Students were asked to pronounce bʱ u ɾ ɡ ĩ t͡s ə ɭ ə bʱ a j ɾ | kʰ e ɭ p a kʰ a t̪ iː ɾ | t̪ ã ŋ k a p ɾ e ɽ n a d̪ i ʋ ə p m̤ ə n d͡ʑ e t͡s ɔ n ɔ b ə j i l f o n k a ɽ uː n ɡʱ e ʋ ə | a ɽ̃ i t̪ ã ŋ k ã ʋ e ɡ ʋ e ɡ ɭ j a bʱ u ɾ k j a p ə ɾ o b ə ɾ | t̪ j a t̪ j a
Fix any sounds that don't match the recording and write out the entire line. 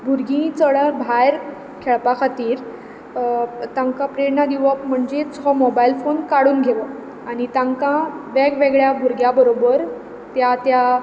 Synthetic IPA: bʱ u ɾ ɡ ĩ t͡s ə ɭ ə bʱ a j ɾ | kʰ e ɭ p a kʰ a t̪ iː ɾ | t̪ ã ŋ k a p ɾ e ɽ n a d̪ i ʋ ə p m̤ ə ɳ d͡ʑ e t͡s ɔ m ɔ b a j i l f o n k a ɽ uː n ɡʱ e ʋ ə | a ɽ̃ i t̪ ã ŋ k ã ʋ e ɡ ʋ e ɡ ɭ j a bʱ u ɾ ɡ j a b ə ɾ o b ə ɾ | t̪ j a t̪ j a